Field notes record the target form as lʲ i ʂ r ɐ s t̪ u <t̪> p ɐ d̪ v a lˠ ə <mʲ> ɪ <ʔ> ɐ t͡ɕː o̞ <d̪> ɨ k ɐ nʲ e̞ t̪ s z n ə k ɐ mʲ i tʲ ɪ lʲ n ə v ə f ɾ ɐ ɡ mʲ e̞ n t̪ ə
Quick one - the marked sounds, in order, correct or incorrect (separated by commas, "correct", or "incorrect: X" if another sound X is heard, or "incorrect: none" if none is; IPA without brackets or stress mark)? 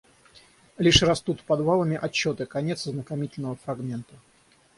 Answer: correct, correct, correct, incorrect: t̪